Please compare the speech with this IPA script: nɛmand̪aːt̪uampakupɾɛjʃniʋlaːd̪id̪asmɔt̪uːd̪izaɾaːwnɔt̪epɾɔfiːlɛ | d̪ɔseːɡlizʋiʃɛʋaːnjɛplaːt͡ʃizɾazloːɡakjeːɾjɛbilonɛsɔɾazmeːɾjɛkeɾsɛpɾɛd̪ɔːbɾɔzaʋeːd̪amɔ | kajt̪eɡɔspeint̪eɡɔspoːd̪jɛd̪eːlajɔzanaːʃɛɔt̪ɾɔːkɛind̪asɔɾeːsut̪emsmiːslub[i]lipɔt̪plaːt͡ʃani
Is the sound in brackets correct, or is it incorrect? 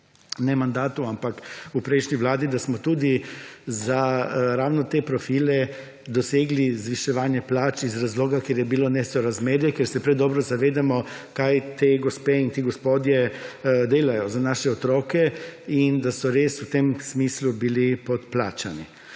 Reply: correct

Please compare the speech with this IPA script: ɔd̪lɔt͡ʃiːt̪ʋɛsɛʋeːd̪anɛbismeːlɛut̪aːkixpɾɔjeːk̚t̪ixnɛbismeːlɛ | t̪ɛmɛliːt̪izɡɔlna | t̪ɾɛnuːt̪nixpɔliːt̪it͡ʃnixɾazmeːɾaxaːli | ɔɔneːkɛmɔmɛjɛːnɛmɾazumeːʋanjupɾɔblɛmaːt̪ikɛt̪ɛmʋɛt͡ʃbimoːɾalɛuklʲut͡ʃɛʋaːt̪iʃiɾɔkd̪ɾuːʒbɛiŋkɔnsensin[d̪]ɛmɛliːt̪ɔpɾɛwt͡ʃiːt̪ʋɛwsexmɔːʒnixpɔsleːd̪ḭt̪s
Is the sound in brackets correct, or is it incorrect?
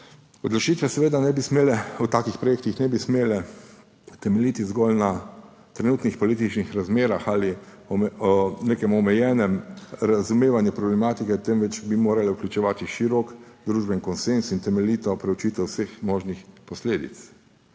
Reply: incorrect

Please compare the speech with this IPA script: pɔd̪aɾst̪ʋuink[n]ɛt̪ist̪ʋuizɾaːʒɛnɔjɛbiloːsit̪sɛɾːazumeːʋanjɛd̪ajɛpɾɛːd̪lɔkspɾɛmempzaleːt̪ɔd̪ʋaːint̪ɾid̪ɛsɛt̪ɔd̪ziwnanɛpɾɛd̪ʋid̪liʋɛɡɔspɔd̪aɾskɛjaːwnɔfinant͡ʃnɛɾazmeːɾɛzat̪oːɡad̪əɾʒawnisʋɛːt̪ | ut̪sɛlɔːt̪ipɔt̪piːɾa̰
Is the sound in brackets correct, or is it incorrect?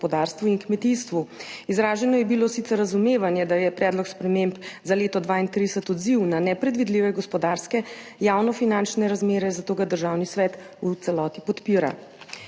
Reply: incorrect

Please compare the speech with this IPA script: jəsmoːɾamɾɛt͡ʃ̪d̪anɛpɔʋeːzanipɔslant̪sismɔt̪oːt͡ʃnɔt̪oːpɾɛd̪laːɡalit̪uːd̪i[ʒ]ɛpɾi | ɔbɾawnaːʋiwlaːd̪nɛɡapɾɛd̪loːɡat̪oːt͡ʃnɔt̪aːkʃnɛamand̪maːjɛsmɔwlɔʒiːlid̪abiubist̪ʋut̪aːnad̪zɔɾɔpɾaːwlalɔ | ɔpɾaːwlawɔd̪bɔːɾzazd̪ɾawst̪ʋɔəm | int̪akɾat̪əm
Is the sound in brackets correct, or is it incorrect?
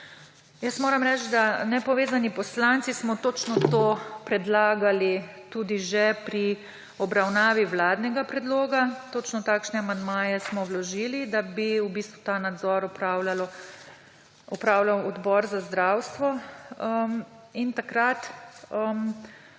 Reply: correct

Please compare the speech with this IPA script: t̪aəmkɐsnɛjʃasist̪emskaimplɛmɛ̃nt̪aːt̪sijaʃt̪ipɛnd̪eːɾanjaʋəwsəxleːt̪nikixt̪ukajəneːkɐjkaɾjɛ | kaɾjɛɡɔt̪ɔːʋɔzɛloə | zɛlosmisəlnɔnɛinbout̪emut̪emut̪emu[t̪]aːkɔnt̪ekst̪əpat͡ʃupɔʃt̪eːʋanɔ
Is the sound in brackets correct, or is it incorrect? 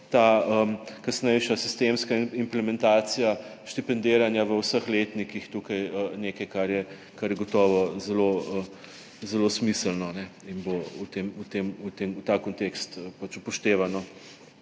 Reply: correct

